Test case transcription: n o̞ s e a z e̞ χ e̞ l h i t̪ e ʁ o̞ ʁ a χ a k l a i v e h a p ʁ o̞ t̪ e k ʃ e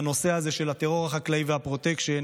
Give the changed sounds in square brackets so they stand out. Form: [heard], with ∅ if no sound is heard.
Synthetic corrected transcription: n o̞ s e a z e̞ [ʃ] e̞ l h [a] t̪ e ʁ o̞ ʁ a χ a k l a i v e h a p ʁ o̞ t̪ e k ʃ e